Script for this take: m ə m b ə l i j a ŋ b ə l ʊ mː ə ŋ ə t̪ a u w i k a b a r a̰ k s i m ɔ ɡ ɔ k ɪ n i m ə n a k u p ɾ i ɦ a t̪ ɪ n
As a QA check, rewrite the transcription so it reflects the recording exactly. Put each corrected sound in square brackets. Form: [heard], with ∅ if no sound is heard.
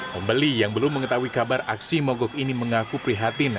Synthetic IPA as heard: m ə m b ə l i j a ŋ b ə l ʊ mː ə ŋ ə t̪ a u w i k a b a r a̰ k s i m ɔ ɡ ɔ k [i] n i m ə [ŋ] a k u p ɾ i ɦ a t̪ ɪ n